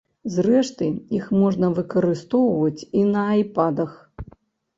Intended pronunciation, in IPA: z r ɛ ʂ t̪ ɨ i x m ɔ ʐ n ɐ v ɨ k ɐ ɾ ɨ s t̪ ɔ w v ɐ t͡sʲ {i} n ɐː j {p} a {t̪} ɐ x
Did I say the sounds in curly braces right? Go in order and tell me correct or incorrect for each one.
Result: correct, correct, incorrect

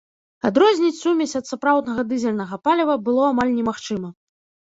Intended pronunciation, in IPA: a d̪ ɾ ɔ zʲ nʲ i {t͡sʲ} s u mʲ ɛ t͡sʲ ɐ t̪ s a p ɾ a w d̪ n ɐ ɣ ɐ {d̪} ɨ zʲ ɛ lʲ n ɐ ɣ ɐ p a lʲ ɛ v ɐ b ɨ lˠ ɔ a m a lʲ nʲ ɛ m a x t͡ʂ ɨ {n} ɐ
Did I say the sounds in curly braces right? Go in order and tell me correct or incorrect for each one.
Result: correct, correct, incorrect

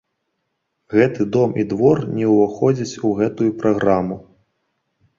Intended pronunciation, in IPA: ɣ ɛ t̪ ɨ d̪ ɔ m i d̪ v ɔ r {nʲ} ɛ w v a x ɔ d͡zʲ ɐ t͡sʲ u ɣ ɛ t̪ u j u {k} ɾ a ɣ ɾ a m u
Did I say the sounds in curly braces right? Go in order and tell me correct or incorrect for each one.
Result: correct, incorrect

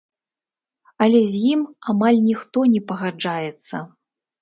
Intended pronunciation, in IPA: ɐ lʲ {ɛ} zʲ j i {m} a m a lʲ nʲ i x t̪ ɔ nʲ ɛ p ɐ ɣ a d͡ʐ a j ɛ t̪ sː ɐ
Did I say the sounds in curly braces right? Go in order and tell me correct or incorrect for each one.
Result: correct, correct

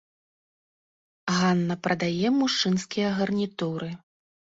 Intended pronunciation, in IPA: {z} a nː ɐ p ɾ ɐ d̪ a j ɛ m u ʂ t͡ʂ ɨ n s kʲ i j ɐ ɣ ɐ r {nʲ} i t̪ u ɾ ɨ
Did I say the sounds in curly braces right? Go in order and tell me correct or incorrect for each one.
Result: incorrect, correct

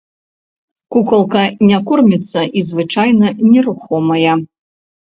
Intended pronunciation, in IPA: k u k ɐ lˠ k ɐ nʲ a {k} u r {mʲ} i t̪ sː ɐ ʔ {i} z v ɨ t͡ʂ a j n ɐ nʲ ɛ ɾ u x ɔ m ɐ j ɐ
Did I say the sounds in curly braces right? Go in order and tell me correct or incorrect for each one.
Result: correct, correct, correct

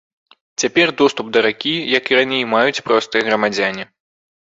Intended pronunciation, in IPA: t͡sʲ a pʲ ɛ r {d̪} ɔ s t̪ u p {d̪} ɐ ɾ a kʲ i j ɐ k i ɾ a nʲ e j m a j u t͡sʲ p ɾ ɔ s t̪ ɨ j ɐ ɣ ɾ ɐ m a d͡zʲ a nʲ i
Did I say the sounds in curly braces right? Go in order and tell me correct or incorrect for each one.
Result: correct, correct

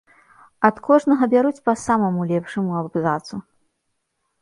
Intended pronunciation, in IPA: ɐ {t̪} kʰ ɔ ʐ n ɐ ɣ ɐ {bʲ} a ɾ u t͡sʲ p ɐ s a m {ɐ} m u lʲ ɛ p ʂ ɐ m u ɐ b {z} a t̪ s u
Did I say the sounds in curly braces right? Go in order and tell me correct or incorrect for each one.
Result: correct, correct, correct, correct

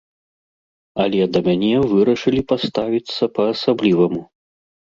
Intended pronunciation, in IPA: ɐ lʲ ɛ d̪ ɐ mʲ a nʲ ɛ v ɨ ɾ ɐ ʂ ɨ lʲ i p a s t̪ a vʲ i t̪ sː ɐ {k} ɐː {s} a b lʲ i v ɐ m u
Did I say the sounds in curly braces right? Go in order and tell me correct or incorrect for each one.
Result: incorrect, correct

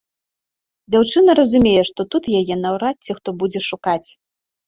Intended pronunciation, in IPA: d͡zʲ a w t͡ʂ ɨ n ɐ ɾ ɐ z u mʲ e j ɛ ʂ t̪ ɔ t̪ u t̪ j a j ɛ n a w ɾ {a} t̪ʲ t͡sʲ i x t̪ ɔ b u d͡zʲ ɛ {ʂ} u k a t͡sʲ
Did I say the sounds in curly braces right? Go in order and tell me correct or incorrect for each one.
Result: correct, correct

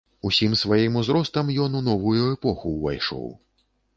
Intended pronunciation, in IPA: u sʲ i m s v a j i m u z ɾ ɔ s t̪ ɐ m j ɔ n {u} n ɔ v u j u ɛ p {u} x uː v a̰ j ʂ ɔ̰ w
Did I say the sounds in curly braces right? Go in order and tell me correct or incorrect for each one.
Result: correct, incorrect

